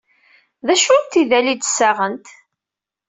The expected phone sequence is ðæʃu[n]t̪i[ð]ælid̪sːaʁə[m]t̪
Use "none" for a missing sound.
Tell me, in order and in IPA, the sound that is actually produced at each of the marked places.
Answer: n, ð, n

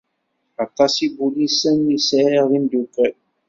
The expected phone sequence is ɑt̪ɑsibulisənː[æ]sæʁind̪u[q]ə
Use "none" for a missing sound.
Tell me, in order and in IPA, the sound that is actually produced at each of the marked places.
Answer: i, k

